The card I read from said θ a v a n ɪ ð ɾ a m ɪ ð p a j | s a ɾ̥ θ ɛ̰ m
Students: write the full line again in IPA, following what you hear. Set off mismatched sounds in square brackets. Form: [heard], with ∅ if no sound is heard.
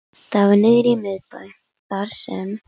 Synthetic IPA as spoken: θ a v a n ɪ ð ɾ [i] m ɪ ð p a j | [θ] a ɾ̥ [s] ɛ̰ m